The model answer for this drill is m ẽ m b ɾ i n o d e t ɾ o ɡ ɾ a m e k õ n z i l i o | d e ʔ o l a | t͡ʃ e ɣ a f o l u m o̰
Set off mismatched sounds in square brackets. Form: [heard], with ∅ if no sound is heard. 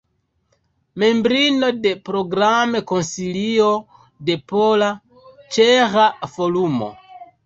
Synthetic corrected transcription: m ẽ m b ɾ i n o d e [p] ɾ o ɡ ɾ a m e k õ n [s] i l i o | d e [p] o l a | t͡ʃ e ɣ a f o l u m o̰